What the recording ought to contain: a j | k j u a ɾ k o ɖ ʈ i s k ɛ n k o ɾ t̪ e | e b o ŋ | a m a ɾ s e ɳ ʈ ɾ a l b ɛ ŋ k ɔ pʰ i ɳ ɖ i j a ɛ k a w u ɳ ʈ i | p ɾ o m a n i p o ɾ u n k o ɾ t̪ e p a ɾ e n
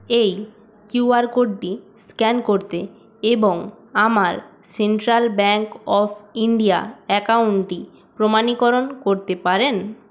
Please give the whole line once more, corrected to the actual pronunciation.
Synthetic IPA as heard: e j | k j u a ɾ k o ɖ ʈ i s k ɛ n k o ɾ t̪ e | e b o ŋ | a m a ɾ s e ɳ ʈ ɾ a l b ɛ ŋ k ɔ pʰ i ɳ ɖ i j a ɛ k a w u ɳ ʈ i | p ɾ o m a n i k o ɾ o n k o ɾ t̪ e p a ɾ e n